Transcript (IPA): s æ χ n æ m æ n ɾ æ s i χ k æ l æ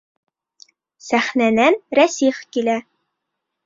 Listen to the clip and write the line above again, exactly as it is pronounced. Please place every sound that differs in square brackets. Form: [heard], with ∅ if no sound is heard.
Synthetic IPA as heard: s æ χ n æ [n] æ n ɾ æ s i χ k [i] l æ